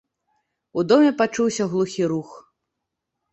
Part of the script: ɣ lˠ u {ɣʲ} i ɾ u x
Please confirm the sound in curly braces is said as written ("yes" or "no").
no